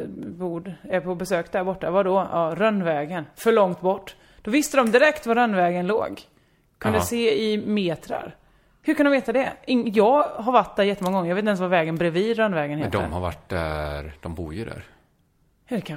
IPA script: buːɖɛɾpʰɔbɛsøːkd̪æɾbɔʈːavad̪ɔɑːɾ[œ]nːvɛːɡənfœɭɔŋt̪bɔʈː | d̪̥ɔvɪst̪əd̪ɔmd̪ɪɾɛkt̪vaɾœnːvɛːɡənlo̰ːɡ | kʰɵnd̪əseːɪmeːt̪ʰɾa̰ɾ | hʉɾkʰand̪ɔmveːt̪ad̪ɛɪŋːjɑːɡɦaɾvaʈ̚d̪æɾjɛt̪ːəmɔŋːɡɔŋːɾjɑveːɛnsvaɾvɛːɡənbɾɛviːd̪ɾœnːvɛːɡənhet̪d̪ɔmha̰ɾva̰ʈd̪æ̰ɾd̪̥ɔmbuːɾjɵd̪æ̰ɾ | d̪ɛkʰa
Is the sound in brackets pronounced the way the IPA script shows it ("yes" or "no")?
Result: yes